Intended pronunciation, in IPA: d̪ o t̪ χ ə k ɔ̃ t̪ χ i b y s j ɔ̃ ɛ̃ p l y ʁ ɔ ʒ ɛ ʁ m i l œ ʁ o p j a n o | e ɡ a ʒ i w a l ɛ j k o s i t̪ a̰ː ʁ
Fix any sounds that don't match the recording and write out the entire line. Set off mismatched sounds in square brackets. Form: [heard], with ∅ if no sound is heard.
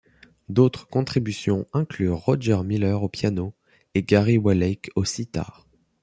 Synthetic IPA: d̪ o t̪ χ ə k ɔ̃ t̪ χ i b y s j ɔ̃ ɛ̃ [k] l y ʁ ɔ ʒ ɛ ʁ m i l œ ʁ o p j a n o | e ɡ a [ʁ] i w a l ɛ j k o s i t̪ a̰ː ʁ